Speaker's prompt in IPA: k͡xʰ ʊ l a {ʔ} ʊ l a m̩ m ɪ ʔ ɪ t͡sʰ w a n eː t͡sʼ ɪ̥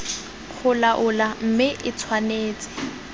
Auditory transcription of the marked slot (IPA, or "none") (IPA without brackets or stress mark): ʔ